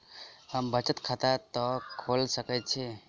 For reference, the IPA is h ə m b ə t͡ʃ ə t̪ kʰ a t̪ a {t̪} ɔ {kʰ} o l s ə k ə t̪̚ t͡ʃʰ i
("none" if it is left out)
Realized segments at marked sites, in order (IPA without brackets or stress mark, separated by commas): t̪, kʰ